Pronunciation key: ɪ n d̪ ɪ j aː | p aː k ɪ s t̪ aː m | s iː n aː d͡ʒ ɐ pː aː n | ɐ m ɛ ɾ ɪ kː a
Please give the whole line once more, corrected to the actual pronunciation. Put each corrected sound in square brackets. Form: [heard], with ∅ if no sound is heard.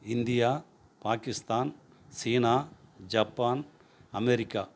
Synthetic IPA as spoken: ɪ n d̪ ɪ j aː | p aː k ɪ s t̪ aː [n] | s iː n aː d͡ʒ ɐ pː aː n | ɐ m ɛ ɾ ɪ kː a